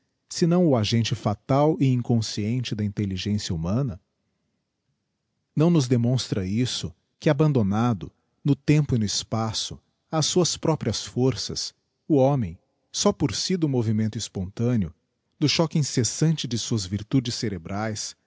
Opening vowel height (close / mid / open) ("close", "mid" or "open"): close